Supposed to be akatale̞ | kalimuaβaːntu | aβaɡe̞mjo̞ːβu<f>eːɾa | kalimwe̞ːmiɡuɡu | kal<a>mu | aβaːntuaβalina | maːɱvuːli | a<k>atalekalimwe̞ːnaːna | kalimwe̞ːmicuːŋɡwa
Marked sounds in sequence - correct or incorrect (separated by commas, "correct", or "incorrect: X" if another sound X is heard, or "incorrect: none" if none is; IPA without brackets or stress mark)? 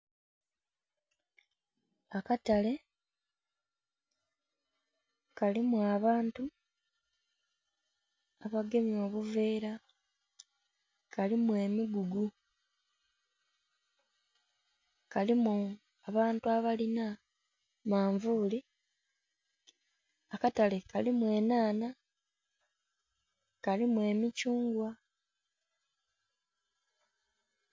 incorrect: v, incorrect: i, correct